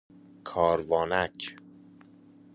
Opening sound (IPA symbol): kʰ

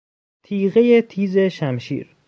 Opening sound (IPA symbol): t̪ʰ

